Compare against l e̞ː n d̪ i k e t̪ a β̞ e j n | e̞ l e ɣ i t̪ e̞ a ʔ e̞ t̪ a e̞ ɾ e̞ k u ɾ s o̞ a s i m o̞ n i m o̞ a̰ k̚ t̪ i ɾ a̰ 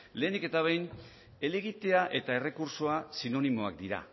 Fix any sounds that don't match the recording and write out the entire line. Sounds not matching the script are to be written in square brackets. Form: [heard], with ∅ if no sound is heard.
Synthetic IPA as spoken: l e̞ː n d̪ i k e t̪ a β̞ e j n | e̞ l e ɣ i t̪ e̞ a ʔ e̞ t̪ a e̞ [r] e̞ k u ɾ s o̞ a s i [n] o̞ n i m o̞ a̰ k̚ [d̪] i ɾ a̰

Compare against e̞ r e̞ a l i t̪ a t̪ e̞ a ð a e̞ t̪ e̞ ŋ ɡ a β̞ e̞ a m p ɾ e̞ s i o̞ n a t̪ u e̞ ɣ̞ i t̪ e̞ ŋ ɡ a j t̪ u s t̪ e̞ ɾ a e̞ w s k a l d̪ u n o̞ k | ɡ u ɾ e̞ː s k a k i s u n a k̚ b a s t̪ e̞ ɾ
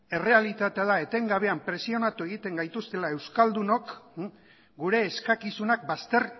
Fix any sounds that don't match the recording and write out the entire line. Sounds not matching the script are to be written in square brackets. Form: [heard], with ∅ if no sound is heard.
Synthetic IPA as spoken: e̞ r e̞ a l i t̪ a t̪ e̞ a ð a e̞ t̪ e̞ ŋ ɡ a β̞ e̞ a m p ɾ e̞ s i o̞ n a t̪ u e̞ ɣ̞ i t̪ e̞ ŋ ɡ a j t̪ u s t̪ e̞ [l] a e̞ w s k a l d̪ u n o̞ k | ɡ u ɾ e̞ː s k a k i s u n a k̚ b a s t̪ e̞ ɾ

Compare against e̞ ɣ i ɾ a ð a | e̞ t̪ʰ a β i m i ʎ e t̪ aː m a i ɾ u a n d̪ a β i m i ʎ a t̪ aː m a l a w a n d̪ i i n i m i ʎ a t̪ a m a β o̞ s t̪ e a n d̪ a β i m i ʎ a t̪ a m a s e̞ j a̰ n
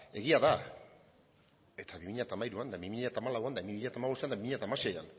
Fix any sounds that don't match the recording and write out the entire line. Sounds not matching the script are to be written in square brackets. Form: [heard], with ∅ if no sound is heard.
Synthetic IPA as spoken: e̞ ɣ i [∅] a ð a | e̞ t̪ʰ a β i m i ʎ [a] t̪ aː m a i ɾ u a n d̪ a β i m i ʎ a t̪ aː m a l a w a n d̪ [a] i [m] i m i ʎ a t̪ a m a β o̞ s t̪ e a n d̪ a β i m i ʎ a t̪ a m a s e̞ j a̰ n

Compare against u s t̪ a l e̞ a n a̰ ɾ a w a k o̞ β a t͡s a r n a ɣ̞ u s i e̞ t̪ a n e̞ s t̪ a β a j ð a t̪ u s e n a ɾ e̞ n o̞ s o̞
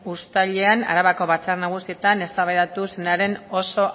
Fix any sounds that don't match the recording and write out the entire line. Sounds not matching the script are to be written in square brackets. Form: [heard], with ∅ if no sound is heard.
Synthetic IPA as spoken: u s t̪ a [ʎ] e̞ a n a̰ ɾ a [β] a k o̞ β a t͡s a r n a ɣ̞ u s i e̞ t̪ a n e̞ s t̪ a β a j ð a t̪ u s e n a ɾ e̞ n o̞ s o̞

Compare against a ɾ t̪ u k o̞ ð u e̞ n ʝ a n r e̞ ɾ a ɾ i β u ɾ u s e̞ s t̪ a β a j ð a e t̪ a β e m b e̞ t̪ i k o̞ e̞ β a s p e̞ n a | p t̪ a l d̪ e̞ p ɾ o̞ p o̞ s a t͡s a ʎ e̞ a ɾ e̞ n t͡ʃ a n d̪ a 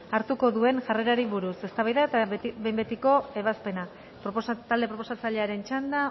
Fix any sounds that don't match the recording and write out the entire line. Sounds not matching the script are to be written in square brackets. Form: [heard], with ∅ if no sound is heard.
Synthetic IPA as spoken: a ɾ t̪ u k o̞ ð u e̞ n ʝ a [∅] r e̞ ɾ a ɾ i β u ɾ u s e̞ s t̪ a β a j ð a e t̪ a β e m b e̞ t̪ i k o̞ e̞ β a s p e̞ n a | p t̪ a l d̪ e̞ p ɾ o̞ p o̞ s a t͡s a ʎ e̞ a ɾ e̞ n t͡ʃ a n d̪ a

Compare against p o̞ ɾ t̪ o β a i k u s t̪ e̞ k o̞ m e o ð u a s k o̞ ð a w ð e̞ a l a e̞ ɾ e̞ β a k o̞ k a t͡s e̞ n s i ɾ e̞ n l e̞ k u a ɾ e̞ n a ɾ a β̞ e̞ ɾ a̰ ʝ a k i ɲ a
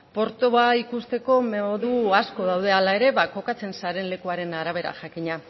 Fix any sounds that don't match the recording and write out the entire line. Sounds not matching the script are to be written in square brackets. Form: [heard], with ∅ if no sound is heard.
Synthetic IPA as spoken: p o̞ ɾ t̪ o β a i k u s t̪ e̞ k o̞ m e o ð u a s k o̞ ð a w ð e̞ a l a e̞ ɾ e̞ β a k o̞ k a t͡s e̞ n s [a] ɾ e̞ n l e̞ k u a ɾ e̞ n a ɾ a β̞ e̞ ɾ a̰ ʝ a k i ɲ a

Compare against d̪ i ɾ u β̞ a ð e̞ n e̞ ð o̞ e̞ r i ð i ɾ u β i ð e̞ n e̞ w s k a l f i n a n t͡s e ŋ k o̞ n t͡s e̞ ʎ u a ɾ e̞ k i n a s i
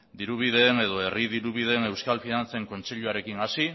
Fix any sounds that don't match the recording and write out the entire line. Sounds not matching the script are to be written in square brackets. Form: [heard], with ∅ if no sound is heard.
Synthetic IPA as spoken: d̪ i ɾ u β̞ [i] ð e̞ n e̞ ð o̞ e̞ r i ð i ɾ u β i ð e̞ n e̞ w s k a l f i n a n t͡s e ŋ k o̞ n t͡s e̞ ʎ u a ɾ e̞ k i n a s i

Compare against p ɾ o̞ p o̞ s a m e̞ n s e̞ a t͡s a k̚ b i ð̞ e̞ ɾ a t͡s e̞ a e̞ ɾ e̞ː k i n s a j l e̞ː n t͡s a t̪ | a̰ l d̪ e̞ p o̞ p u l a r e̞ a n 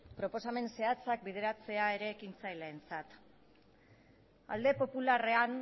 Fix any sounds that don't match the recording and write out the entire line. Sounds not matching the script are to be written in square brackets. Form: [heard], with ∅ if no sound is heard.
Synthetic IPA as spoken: p ɾ o̞ p o̞ s a m e̞ n s e̞ a t͡s a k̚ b i ð̞ e̞ ɾ a t͡s e̞ a e̞ ɾ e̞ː k i n [t͡s] a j l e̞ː n t͡s a t̪ | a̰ l d̪ e̞ p o̞ p u l a r e̞ a n

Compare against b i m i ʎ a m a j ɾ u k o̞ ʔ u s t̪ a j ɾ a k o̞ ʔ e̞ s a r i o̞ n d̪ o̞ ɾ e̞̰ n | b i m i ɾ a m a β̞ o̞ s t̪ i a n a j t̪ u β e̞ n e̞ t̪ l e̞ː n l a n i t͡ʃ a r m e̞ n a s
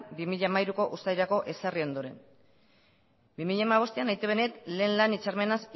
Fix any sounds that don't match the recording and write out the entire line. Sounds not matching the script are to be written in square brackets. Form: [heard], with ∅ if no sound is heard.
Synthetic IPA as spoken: b i m i ʎ a m a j ɾ u k o̞ ʔ u s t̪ a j ɾ a k o̞ ʔ e̞ s a r i o̞ n d̪ o̞ ɾ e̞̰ n | b i m i [ʎ] a m a β̞ o̞ s t̪ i a n a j t̪ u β e̞ n e̞ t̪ l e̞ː n l a n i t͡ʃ a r m e̞ n a s

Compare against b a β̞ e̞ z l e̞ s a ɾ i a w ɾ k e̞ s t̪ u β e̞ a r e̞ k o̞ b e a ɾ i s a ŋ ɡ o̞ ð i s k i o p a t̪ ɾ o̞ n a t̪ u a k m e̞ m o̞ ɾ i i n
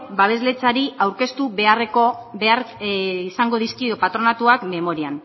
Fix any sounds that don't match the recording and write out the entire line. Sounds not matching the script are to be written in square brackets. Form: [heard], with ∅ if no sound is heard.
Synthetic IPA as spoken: b a β̞ e̞ z l e̞ [t͡s] a ɾ i a w ɾ k e̞ s t̪ u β e̞ a r e̞ k o̞ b e a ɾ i s a ŋ ɡ o̞ ð i s k i o p a t̪ ɾ o̞ n a t̪ u a k m e̞ m o̞ ɾ i [a] n

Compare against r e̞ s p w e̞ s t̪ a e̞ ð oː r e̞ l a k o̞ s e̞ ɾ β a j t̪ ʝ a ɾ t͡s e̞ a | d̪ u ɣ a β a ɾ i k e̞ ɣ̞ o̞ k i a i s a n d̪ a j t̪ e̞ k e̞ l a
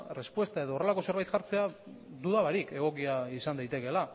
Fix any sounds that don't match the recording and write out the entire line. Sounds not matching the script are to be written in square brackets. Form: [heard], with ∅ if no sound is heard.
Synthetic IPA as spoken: r e̞ s p w e̞ s t̪ a e̞ ð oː r e̞ l a k o̞ s e̞ ɾ β a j t̪ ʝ a ɾ t͡s e̞ a | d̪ u [ð] a β a ɾ i k e̞ ɣ̞ o̞ k i a i s a n d̪ a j t̪ e̞ k e̞ l a

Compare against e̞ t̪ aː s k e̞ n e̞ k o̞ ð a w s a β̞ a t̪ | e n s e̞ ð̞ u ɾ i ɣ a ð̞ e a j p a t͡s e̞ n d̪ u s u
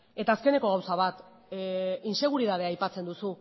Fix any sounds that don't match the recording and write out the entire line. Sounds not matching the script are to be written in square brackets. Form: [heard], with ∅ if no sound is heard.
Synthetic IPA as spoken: e̞ t̪ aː s k e̞ n e̞ k o̞ [ɣ] a w s a β̞ a t̪ | [i] n s e̞ [ɣ̞] u ɾ i [ð] a ð̞ e a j p a t͡s e̞ n d̪ u s u

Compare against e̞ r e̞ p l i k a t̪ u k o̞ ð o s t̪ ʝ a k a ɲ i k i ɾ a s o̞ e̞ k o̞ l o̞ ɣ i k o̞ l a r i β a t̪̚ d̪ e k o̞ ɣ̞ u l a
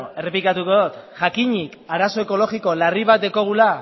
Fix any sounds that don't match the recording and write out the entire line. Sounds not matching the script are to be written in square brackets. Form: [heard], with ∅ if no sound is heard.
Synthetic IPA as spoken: e̞ r e̞ p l i k a t̪ u k o̞ ð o [∅] t̪ ʝ a k [i] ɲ i k [a] ɾ a s o̞ e̞ k o̞ l o̞ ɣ i k o̞ l a r i β a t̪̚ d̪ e k o̞ ɣ̞ u l a

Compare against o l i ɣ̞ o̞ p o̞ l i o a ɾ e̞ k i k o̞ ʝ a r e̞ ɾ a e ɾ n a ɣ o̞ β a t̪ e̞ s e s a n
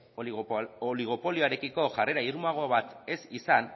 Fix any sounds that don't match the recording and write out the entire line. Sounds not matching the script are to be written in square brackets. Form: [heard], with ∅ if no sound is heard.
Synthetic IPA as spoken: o l i ɣ̞ o̞ p o̞ l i o a ɾ e̞ k i k o̞ ʝ a r e̞ ɾ a [i] ɾ [m] a ɣ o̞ β a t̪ e̞ s [i] s a n

